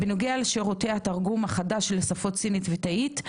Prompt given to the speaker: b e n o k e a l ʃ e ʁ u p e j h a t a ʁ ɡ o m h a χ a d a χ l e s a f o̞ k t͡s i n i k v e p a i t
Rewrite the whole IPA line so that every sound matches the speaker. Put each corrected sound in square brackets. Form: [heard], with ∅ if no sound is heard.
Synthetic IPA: b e n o [ɡ] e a l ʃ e ʁ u [t] e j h a t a ʁ ɡ [u] m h a χ a d a [ʃ] l e s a f o̞ [t] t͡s i n i [t] v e [t] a i t